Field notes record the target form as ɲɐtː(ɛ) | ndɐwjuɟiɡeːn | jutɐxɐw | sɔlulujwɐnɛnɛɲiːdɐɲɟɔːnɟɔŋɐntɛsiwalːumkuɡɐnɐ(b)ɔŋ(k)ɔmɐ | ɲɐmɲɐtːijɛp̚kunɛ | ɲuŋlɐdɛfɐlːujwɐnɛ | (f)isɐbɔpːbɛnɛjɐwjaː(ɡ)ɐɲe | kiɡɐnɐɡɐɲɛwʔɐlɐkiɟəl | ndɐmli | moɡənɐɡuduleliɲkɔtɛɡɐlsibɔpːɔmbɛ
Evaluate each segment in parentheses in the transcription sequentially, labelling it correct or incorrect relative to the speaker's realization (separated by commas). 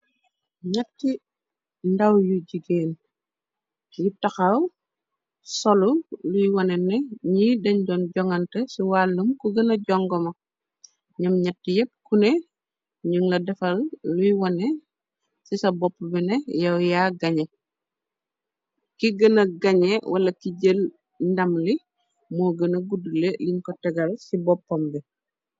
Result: incorrect, incorrect, incorrect, incorrect, correct